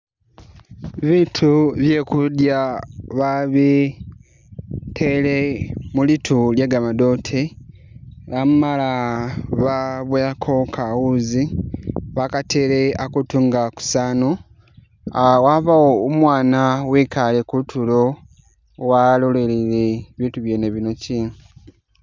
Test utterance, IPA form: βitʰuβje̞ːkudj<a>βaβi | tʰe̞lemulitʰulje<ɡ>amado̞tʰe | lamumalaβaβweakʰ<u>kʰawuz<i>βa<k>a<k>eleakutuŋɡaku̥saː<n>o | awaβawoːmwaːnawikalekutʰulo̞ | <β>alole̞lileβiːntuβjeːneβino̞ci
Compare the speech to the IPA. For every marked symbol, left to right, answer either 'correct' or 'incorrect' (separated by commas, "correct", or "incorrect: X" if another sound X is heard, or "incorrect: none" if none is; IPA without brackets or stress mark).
correct, correct, incorrect: o, correct, correct, incorrect: t, correct, incorrect: w